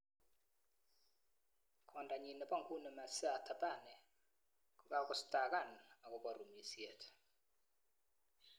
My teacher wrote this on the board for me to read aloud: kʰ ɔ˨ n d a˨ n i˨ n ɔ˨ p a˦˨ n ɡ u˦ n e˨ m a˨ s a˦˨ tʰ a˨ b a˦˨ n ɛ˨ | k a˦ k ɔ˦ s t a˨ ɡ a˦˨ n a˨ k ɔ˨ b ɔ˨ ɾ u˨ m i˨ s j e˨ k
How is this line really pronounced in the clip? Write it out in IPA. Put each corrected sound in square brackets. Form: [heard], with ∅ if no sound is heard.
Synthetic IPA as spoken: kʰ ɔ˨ n d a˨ [ɲ] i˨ n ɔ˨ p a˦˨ [ŋ] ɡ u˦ n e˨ m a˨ s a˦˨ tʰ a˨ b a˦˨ n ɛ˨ | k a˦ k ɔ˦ s t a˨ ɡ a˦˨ n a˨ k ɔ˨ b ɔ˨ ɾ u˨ m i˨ s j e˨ [t]

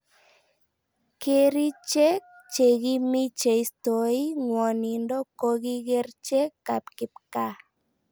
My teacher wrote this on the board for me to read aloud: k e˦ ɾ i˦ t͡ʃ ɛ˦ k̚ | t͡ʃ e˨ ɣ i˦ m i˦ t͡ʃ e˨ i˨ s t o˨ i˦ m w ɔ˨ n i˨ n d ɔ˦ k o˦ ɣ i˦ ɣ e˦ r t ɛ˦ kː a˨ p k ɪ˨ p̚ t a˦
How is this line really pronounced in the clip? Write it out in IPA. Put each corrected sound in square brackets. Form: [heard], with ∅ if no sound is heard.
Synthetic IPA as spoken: k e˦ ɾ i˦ t͡ʃ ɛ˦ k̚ | t͡ʃ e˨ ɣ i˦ m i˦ t͡ʃ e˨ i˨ s t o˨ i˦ [ŋ] w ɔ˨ n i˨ n d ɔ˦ k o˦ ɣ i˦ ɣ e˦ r [t͡ʃ] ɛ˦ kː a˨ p k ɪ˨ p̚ [k] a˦

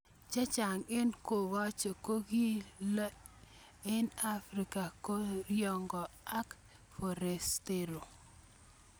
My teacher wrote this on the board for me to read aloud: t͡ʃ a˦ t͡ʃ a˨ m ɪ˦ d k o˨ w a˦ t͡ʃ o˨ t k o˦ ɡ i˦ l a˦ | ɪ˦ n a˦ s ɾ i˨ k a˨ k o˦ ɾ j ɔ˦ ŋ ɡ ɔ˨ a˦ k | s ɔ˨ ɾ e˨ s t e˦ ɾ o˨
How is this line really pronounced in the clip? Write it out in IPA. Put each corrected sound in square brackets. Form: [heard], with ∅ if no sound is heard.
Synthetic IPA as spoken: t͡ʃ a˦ t͡ʃ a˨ [ŋ] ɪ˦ [n] k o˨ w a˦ t͡ʃ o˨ [∅] k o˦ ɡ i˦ l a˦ | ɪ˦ n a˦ [f] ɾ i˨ k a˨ k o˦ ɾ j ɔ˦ ŋ ɡ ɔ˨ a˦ k | [f] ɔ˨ ɾ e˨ s t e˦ ɾ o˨

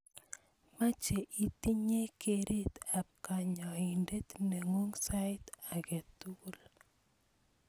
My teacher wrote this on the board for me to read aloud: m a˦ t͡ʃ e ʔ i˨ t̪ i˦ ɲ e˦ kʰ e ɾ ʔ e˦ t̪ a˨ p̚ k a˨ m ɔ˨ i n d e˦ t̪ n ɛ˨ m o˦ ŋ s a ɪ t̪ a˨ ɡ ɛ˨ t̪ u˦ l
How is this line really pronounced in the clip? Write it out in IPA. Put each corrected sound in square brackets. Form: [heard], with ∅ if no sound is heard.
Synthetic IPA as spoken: m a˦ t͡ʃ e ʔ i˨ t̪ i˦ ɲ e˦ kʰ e ɾ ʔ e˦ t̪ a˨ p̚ k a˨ [ɲ] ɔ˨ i n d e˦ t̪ n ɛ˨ [ŋ] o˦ ŋ s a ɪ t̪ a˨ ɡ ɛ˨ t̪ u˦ l

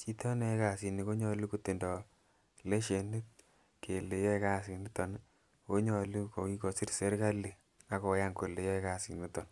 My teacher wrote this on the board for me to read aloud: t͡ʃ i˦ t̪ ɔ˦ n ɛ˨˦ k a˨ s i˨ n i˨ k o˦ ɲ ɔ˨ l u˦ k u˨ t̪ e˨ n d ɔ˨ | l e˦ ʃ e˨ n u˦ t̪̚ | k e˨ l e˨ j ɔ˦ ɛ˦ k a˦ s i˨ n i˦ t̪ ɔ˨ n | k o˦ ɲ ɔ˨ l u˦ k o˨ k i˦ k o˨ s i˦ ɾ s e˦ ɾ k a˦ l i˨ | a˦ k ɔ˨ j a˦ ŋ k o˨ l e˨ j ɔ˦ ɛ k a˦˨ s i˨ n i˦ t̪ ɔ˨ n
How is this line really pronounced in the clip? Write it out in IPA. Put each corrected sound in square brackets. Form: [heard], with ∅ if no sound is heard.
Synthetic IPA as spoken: t͡ʃ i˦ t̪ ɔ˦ n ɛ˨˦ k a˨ s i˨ n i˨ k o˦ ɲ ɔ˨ l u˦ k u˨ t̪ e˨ n d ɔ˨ | l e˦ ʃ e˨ n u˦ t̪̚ | k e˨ l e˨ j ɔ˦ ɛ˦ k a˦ s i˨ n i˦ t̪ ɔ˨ n | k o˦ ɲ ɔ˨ l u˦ k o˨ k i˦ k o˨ s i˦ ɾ s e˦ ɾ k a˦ l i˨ | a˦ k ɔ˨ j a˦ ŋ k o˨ l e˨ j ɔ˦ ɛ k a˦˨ s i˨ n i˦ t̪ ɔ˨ n

